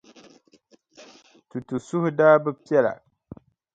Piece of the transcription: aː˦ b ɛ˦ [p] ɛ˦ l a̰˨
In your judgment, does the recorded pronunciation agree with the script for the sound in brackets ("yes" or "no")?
yes